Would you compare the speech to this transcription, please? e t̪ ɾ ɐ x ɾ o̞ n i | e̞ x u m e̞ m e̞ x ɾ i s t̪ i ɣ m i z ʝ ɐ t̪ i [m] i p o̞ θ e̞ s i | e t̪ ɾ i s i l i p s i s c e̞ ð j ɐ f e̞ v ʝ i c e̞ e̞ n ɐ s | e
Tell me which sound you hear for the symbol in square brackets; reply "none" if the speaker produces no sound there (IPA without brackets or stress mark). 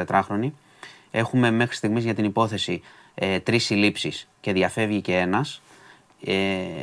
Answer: n